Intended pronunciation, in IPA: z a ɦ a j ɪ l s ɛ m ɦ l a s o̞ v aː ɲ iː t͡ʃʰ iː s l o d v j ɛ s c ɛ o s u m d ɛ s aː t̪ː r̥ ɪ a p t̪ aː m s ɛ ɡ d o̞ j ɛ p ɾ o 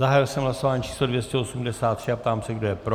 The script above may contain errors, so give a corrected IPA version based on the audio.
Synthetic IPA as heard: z a ɦ a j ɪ l s ɛ m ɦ l a s o̞ v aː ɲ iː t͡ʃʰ iː s l o d v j ɛ s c ɛ o s u m d ɛ s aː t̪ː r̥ ɪ a p t̪ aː m s ɛ ɡ d o̞ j ɛ p ɾ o